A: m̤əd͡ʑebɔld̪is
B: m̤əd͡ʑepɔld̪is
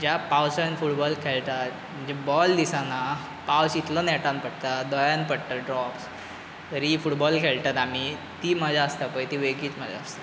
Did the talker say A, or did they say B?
A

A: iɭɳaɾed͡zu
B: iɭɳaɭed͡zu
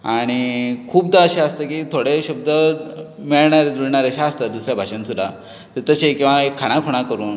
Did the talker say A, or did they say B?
A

